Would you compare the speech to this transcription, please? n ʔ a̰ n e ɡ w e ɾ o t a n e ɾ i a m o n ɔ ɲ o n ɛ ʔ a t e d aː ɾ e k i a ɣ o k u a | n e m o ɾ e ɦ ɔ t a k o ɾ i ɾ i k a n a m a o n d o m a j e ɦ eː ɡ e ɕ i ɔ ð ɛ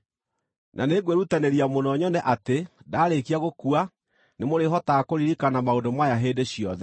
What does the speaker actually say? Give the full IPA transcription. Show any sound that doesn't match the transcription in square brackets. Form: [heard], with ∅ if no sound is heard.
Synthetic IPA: n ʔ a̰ n e ɡ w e ɾ [u] t a n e ɾ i a m o n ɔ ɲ [ɔ] n ɛ ʔ a t e d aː ɾ e k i a ɣ o k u a | n e m o ɾ e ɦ ɔ t a k o ɾ i ɾ i k a n a m a o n d o m a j [a] ɦ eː [d] e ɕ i ɔ ð ɛ